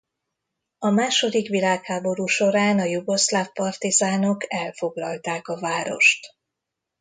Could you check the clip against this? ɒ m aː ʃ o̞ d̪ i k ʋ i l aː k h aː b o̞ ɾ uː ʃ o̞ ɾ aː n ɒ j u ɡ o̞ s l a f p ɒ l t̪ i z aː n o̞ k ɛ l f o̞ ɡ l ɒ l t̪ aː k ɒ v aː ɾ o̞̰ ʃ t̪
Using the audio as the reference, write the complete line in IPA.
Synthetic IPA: ɒ m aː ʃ o̞ d̪ i k ʋ i l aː k h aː b o̞ ɾ uː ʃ o̞ ɾ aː n ɒ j u ɡ o̞ s l a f p ɒ r t̪ i z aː n o̞ k ɛ l f o̞ ɡ l ɒ l t̪ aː k ɒ v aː ɾ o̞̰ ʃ t̪